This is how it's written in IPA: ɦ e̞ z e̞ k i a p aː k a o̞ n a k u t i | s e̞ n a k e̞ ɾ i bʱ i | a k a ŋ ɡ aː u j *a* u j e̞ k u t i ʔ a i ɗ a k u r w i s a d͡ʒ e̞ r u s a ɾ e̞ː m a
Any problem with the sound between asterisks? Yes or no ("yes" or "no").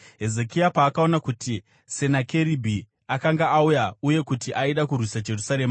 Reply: no